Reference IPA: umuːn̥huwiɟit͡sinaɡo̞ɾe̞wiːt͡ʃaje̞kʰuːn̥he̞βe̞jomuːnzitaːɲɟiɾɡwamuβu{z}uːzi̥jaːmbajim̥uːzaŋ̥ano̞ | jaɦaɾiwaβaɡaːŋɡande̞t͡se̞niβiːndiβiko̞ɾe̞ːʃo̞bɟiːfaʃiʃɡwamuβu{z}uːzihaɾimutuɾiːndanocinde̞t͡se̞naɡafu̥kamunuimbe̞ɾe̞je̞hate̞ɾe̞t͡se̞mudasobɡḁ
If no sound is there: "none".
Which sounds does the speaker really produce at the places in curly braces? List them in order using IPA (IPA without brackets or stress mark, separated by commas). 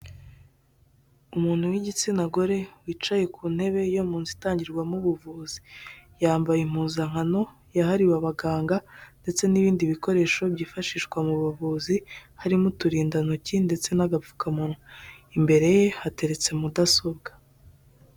v, v